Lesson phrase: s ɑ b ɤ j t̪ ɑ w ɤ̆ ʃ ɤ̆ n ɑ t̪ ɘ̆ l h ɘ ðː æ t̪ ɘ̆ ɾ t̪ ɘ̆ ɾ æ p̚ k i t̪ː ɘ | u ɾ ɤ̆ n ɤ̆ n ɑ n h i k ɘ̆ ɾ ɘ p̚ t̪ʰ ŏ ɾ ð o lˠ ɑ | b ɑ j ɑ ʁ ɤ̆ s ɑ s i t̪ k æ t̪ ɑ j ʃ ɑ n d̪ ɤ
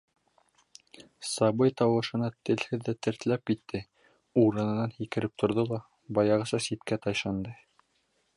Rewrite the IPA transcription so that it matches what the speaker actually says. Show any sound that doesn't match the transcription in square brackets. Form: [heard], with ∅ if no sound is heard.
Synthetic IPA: s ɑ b ɤ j t̪ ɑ w ɤ̆ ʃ ɤ̆ n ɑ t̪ ɘ̆ l h ɘ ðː æ t̪ ɘ̆ ɾ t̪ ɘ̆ [l] æ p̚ k i t̪ː ɘ | u ɾ ɤ̆ n ɤ̆ n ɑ n h i k ɘ̆ ɾ ɘ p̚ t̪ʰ ŏ ɾ ð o lˠ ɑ | b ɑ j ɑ ʁ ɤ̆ s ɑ s i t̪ k æ t̪ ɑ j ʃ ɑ n d̪ ɤ